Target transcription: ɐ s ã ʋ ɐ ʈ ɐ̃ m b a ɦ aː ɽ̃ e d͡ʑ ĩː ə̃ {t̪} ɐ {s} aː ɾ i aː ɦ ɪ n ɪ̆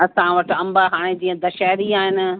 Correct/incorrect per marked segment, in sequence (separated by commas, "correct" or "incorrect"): incorrect, incorrect